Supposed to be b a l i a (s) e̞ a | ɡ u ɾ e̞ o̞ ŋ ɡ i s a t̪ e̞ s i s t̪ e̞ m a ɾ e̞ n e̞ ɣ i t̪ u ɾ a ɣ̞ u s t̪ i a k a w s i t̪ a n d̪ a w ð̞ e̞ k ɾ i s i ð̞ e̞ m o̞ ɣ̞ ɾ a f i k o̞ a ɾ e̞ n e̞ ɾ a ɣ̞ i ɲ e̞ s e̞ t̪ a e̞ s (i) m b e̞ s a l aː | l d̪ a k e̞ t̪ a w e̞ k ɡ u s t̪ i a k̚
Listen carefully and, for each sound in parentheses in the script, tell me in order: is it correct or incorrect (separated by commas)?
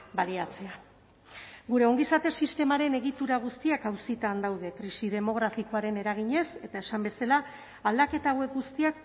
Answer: incorrect, incorrect